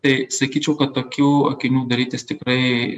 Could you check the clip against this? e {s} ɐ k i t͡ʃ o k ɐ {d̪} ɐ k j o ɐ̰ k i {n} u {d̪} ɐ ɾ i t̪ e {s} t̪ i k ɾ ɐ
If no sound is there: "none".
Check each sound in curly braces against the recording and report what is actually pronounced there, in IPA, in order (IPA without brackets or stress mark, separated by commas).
s, t̪, n, d̪, s